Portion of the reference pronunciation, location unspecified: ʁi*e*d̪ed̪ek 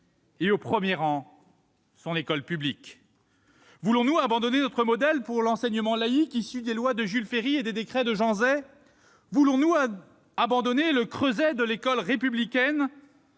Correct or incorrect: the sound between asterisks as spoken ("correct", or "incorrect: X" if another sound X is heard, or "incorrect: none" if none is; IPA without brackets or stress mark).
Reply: correct